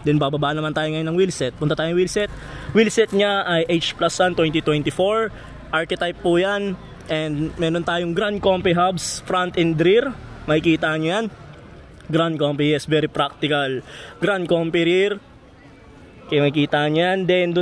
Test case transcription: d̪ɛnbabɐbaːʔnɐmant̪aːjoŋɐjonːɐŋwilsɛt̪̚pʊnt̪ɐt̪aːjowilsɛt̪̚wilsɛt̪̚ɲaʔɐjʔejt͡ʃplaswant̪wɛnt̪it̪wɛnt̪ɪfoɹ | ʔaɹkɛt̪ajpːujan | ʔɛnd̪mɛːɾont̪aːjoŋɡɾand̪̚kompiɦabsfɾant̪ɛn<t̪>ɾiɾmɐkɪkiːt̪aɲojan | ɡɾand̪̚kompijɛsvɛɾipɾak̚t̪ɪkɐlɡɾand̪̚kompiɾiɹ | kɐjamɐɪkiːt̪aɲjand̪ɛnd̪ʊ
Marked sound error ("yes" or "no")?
yes